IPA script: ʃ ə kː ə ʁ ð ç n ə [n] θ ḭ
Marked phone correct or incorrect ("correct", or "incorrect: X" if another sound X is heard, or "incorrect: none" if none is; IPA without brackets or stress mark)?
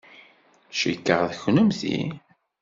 incorrect: m